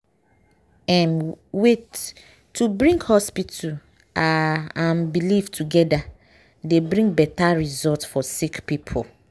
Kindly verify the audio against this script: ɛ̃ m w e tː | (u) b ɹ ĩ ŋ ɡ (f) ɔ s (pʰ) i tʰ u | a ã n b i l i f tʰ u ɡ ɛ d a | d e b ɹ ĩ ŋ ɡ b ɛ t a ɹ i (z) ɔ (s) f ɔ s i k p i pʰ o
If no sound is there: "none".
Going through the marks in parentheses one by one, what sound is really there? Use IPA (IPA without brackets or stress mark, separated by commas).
u, h, p, z, t